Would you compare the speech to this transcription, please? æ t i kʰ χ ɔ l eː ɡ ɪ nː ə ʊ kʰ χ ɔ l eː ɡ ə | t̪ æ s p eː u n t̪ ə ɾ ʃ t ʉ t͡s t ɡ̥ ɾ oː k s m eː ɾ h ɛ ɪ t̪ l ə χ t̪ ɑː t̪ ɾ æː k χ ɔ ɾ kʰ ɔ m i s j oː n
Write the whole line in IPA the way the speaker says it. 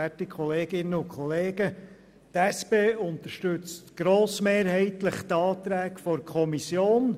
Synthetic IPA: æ t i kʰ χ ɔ l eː ɡ ɪ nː ə ʊ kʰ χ ɔ l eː ɡ ə | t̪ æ s p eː ʊ n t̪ ə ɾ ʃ t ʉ t͡s t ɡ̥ ɾ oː s m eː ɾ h ɛ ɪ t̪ l ə χ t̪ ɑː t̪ ɾ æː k f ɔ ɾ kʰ ɔ m i s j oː n

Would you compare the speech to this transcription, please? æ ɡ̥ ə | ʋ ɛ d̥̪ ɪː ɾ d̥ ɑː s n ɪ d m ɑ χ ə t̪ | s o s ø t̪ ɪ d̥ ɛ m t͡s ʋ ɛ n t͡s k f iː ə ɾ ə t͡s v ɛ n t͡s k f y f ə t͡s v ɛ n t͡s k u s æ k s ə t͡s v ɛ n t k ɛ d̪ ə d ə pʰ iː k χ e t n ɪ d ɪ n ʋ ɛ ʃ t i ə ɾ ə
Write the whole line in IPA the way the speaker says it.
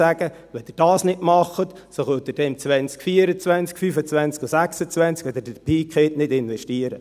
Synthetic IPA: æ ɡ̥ ə | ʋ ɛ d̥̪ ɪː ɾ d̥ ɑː s n ɪ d m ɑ χ ə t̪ | s o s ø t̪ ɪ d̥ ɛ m t͡s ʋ ɛ n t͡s k f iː ə ɾ ə t͡s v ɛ n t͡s k f y f ə t͡s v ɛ n t͡s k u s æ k s ə t͡s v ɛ n t͡s k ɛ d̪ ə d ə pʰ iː k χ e t n ɪ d ɪ n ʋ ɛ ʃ t i ə ɾ ə

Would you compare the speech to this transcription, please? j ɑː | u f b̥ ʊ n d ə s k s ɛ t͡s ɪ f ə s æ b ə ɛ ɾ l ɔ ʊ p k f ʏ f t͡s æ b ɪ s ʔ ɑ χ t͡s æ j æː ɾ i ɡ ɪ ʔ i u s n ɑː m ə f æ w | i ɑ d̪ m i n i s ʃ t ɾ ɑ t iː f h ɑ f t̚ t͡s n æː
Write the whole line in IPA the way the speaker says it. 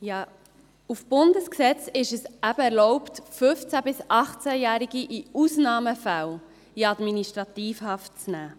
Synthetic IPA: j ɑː | u f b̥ ʊ n d ə s k s ɛ t͡s ɪ ʃ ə s æ b ə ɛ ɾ l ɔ ʊ p t f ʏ f t͡s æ b ɪ s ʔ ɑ χ t͡s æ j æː ɾ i ɡ i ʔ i u s n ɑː m ə f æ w | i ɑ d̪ m i n i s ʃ t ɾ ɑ t iː f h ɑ f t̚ t͡s n æː

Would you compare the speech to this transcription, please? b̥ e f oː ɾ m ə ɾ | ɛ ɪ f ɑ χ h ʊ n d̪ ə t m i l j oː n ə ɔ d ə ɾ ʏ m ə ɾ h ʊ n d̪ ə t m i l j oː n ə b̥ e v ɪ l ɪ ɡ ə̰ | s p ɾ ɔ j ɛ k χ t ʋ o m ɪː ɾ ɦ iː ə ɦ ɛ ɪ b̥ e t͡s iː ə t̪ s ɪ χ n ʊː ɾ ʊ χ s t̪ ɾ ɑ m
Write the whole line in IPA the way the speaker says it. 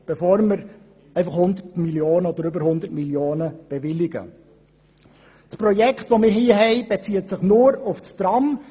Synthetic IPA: b̥ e f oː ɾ m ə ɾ | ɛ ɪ f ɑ χ h ʊ n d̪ ə t m i l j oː n ə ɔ d ə ɾ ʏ b ə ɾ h ʊ n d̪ ə t m i l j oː n ə b̥ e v ɪ l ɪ ɡ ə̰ | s p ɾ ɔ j ɛ k χ t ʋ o m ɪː ɾ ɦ iː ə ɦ ɛ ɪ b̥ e t͡s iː ə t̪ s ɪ χ n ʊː ɾ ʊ f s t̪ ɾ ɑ m

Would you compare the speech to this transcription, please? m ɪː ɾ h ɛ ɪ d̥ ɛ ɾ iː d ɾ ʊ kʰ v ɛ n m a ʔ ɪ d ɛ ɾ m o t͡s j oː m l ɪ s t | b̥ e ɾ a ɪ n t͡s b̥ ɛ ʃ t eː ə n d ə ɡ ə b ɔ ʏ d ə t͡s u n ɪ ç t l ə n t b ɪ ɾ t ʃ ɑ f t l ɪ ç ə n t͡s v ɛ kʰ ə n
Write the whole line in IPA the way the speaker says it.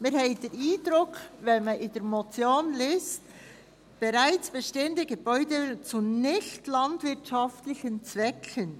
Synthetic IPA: m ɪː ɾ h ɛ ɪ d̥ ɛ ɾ iː d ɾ ʊ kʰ v ɛ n m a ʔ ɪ d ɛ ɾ m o t͡s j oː n l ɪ s t | b̥ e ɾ a ɪ t͡s b̥ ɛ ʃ t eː ə n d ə ɡ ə b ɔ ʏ d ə t͡s u n ɪ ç t l ɑ n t v ɪ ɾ t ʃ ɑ f t l ɪ ç ə n t͡s v ɛ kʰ ə n

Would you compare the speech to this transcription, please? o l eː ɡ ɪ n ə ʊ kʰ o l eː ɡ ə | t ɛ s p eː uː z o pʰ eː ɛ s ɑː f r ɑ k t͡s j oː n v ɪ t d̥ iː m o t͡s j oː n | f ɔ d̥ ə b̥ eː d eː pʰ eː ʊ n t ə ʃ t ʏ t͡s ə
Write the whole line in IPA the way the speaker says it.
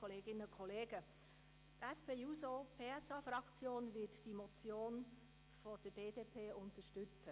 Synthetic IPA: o l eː ɡ ɪ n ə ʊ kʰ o l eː ɡ ə | t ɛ s p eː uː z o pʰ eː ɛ s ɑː f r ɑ k t͡s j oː n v ɪ t d̥ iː m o t͡s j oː n | f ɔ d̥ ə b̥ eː d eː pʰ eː ʊ n t ə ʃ t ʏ t͡s ə

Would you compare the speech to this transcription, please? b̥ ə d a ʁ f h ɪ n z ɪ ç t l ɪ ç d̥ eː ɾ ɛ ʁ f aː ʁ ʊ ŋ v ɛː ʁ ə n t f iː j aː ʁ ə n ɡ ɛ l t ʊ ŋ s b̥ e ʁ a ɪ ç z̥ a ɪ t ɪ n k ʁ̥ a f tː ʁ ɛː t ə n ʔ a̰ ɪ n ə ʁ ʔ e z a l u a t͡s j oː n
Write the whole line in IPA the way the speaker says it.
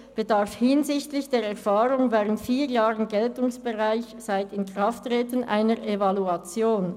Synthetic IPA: b̥ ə d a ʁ f h ɪ n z ɪ ç t l ɪ ç d̥ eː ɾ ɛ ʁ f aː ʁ ʊ ŋ v ɛː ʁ ə n t f iː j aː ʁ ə n ɡ ɛ l t ʊ ŋ s b̥ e ʁ a ɪ ç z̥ a ɪ t ɪ n k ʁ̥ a f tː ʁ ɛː t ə n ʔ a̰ ɪ n ə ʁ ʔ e v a l u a t͡s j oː n

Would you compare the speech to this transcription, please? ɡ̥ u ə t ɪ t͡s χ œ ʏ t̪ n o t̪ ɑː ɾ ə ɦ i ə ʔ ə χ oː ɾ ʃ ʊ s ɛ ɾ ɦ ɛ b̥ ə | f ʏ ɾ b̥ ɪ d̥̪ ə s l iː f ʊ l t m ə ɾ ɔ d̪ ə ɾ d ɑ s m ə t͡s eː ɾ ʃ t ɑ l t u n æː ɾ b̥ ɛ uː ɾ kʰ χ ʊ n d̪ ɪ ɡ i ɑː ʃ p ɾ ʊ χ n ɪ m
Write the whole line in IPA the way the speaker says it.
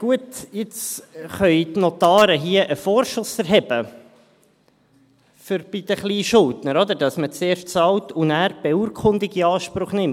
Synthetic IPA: ɡ̥ u ə t ɪ t͡s χ œ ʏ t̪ n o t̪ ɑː ɾ ə ɦ i ə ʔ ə f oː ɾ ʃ ʊ s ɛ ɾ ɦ ɛ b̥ ə | f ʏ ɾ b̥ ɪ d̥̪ ə χ l iː ʃ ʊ l t n ə ɾ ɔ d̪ ə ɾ d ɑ s m ə t͡s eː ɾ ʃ t͡s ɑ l t u n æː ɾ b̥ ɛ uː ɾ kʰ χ ʊ n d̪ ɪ ɡ i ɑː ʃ p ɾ ʊ χ n ɪ m

